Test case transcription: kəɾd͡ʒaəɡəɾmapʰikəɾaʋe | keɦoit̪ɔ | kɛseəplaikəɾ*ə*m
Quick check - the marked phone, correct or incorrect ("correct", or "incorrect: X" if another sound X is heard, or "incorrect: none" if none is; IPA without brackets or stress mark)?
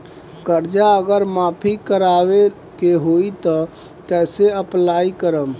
correct